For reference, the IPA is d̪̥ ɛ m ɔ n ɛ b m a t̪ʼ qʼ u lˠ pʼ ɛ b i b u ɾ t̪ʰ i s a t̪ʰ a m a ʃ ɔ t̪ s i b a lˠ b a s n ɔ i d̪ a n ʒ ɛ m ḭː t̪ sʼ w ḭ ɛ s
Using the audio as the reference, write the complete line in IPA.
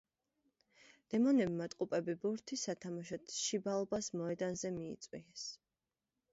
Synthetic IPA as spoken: d̪̥ ɛ m ɔ n ɛ b m a t̪ʼ qʼ u pʼ ɛ b i b u ɾ t̪ʰ i s a t̪ʰ a m a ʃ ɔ t̪ ʃ i b a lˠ b a s m ɔ ɛ d̪ a n z ɛ m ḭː t̪ sʼ w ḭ ɛ s